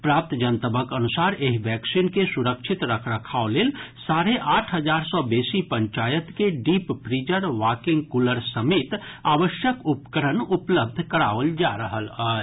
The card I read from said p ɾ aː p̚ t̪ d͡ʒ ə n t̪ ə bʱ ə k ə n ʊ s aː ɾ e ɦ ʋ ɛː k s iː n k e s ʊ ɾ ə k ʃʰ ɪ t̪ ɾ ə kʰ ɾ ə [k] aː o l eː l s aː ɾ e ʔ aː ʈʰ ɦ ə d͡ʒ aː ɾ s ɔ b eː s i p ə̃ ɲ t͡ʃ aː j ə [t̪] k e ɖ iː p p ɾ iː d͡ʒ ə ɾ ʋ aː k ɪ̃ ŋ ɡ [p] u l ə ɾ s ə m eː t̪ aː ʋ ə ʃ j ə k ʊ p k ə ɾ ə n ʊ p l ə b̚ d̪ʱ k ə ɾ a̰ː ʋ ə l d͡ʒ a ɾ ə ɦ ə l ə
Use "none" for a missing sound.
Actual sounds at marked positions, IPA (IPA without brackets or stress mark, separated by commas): kʰ, t̪, k